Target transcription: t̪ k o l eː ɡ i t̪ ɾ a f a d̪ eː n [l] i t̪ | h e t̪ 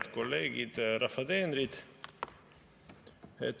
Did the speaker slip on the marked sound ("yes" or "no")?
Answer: yes